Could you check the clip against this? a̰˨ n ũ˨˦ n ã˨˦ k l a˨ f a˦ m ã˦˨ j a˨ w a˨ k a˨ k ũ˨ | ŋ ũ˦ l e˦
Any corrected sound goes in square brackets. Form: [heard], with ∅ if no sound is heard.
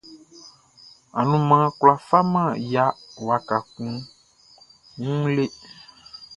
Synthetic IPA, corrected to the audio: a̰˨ n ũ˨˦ [m] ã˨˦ k l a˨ f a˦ m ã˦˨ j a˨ w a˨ k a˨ k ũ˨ | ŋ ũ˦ l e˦